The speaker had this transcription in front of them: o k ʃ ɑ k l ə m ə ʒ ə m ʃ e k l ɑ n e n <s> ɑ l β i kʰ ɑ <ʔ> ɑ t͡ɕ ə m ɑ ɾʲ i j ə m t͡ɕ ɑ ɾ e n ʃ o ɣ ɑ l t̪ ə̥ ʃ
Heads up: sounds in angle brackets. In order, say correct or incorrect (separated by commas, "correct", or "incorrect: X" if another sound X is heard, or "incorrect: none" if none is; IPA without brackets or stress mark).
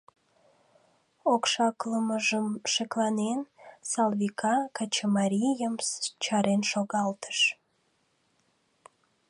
correct, incorrect: k